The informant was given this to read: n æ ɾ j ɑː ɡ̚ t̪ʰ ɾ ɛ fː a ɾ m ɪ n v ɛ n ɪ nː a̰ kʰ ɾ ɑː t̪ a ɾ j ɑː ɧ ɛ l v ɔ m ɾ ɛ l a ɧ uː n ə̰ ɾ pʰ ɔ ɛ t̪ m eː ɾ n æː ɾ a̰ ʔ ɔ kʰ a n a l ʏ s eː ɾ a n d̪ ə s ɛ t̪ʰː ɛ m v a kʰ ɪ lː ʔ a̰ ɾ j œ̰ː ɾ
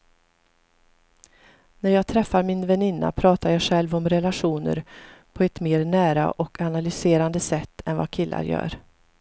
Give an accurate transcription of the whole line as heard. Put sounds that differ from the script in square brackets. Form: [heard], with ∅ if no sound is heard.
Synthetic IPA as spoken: n æ ɾ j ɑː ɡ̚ t̪ʰ ɾ ɛ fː a ɾ m ɪ n v ɛ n ɪ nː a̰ [pʰ] ɾ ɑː t̪ a ɾ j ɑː ɧ ɛ l v ɔ m ɾ ɛ l a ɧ uː n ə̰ ɾ pʰ ɔ ɛ t̪ m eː ɾ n æː ɾ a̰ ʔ ɔ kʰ a n a l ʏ s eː ɾ a n d̪ ə s ɛ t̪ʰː ɛ [n] v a kʰ ɪ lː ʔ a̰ ɾ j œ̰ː ɾ